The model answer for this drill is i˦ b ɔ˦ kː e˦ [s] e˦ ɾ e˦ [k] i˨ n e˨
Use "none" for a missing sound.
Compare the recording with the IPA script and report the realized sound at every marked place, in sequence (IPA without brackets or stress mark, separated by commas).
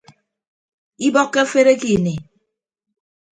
f, k